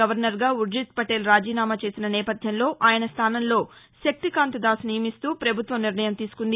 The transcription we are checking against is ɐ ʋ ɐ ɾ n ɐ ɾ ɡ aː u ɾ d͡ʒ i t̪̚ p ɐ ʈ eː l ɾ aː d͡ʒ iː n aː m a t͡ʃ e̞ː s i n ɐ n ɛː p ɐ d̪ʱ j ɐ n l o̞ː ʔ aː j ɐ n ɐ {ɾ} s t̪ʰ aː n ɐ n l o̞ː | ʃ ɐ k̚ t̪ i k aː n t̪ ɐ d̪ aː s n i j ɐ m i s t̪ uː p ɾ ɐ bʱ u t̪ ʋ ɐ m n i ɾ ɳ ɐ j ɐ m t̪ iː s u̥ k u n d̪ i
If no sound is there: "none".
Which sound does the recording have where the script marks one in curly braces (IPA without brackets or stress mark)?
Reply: none